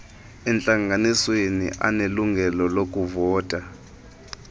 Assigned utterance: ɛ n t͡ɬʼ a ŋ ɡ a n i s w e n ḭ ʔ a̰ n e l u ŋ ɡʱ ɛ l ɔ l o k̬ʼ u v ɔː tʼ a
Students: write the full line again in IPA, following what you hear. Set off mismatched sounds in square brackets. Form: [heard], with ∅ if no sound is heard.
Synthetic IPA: ɛ n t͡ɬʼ a ŋ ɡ a n i s w e n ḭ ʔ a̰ n e l u ŋ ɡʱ ɛ l ɔ l o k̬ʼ u v ɔː tʼ a

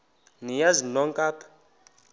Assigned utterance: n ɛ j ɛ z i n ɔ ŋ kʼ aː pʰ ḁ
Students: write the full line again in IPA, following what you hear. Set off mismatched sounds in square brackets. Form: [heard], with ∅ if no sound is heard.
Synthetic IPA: n [i] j [a] z i n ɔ ŋ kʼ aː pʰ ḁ

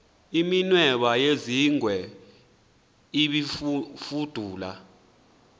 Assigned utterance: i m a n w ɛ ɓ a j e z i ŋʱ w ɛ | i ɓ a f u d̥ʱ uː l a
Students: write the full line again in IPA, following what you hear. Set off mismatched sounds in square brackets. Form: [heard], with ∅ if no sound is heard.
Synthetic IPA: i m [i] n w ɛ ɓ a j e z i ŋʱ w ɛ | i ɓ [i] f u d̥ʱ uː l a

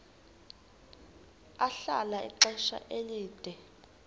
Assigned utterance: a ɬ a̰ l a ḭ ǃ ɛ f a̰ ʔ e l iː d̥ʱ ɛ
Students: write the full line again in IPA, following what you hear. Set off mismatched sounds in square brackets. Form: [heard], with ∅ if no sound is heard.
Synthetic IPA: a ɬ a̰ l a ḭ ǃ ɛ [ʃ] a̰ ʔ e l iː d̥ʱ ɛ

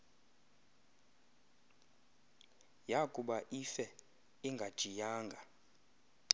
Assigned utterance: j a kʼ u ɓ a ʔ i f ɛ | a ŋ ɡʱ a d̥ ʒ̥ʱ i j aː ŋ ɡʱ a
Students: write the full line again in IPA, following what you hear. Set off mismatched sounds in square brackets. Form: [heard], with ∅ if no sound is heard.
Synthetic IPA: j a kʼ u ɓ a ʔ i f ɛ | [i] ŋ ɡʱ a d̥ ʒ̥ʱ i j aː ŋ ɡʱ a

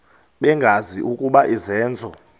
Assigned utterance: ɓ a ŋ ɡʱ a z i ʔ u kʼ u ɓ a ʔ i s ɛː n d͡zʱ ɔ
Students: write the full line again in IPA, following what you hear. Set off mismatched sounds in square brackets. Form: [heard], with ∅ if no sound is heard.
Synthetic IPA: ɓ [ɛ] ŋ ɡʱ a z i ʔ u kʼ u ɓ a ʔ i [z] ɛː n d͡zʱ ɔ

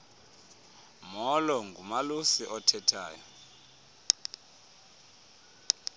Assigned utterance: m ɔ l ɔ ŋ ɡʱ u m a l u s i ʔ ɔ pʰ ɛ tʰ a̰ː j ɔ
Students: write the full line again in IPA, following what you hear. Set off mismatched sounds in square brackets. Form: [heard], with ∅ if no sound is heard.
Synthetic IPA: m ɔ l ɔ ŋ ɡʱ u m a l u s i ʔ ɔ [tʰ] ɛ tʰ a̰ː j ɔ

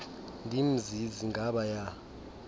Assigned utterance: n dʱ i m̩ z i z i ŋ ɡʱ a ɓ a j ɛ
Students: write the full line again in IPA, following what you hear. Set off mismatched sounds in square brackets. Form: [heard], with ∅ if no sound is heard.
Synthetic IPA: n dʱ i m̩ z i z i ŋ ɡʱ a ɓ a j [a]

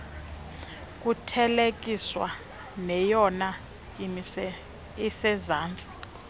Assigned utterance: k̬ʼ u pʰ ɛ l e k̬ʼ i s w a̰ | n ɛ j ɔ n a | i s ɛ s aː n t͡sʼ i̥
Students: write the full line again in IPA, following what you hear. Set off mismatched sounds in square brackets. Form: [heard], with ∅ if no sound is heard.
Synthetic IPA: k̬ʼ u [tʰ] ɛ l e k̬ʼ i s w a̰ | n ɛ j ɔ n a | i s ɛ [z] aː n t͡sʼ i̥

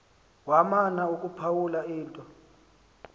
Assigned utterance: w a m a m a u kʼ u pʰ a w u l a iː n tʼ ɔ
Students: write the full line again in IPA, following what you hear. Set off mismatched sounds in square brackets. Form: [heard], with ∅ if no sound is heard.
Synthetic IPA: w a m a [n] a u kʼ u pʰ a w u l a iː n tʼ ɔ

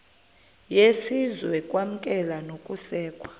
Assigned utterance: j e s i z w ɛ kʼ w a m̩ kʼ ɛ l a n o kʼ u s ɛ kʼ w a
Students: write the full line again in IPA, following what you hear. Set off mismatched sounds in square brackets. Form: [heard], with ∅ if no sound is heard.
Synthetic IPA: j e s i z w ɛ kʼ w a m̩ kʼ ɛ l a n o kʼ u s [ɛː] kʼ w a

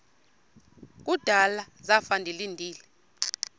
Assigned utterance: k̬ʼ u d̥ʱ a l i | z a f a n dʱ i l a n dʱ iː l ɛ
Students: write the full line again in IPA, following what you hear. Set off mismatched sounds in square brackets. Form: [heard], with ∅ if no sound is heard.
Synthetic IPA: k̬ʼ u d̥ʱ a l [a] | z a f a n dʱ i l [i] n dʱ iː l ɛ

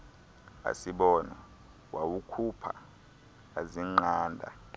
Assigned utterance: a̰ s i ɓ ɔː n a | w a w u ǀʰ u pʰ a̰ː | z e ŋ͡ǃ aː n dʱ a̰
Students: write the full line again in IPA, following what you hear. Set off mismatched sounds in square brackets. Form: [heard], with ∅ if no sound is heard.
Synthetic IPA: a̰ s i ɓ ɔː n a | w a w u [kʰ] u pʰ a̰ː | z [i] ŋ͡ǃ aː n dʱ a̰

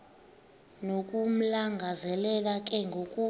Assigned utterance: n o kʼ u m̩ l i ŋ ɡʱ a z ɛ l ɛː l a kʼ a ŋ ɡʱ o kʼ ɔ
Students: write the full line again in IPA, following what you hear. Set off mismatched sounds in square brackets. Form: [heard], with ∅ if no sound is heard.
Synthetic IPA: n o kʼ u m̩ l [a] ŋ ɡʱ a z ɛ l [ɛ] l a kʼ [ɛ] ŋ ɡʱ o kʼ [u]

